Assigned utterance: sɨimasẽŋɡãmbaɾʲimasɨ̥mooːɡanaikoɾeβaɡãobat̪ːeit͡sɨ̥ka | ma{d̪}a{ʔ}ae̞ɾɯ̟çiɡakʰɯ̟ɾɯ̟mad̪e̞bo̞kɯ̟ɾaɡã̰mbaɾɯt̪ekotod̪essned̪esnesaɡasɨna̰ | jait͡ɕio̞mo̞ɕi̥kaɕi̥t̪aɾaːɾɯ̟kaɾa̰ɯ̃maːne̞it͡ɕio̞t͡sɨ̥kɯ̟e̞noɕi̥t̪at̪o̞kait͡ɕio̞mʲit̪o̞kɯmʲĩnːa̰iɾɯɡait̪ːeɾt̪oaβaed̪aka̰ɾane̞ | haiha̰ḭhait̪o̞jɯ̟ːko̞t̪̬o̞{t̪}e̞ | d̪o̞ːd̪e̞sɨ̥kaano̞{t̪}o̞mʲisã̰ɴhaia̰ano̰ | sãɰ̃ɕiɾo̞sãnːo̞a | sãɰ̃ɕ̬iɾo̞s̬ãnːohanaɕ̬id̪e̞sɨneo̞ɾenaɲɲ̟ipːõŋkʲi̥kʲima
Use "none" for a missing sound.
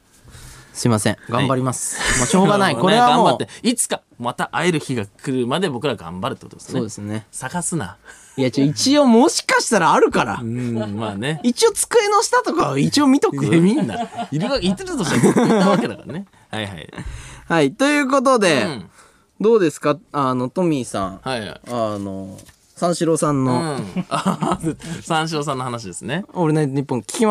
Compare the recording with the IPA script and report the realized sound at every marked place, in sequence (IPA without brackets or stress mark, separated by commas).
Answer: t̪, ʔ, d̪, t̪